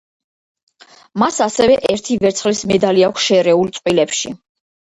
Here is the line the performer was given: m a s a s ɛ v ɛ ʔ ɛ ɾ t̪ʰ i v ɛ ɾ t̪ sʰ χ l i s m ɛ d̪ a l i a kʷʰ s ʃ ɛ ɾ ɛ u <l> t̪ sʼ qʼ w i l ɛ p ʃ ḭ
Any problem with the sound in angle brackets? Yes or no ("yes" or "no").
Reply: no